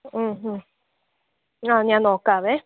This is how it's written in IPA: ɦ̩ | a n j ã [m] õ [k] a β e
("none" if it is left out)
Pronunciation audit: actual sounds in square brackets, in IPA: n, k

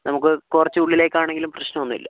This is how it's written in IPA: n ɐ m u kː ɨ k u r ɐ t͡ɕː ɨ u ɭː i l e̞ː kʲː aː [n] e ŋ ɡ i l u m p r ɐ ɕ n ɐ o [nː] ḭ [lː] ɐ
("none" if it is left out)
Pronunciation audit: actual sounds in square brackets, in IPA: ɳ, nː, lː

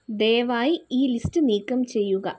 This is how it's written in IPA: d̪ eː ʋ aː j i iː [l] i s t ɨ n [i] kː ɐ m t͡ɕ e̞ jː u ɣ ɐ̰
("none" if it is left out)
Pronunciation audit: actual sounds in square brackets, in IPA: l, iː

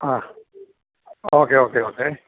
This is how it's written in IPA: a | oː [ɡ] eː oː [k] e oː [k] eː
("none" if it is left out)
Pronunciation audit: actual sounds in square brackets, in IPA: k, k, k

